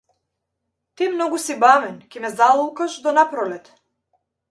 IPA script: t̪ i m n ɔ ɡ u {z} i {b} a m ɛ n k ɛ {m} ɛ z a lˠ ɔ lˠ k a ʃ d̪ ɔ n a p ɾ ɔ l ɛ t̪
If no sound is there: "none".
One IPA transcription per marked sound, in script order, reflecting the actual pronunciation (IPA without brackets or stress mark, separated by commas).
s, b, m